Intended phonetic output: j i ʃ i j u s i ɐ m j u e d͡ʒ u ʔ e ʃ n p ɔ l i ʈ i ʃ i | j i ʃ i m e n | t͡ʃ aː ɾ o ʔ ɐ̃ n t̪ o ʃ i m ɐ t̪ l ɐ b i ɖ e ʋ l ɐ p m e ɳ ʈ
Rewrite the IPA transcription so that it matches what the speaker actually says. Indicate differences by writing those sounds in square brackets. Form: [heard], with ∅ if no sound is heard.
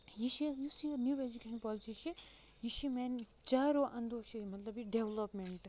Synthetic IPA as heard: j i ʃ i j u s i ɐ [n] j u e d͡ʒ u [k] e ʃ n p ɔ l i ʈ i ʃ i | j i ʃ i m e n | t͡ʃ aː ɾ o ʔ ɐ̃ n [d̪] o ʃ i m ɐ t̪ l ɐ b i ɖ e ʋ l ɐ p m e ɳ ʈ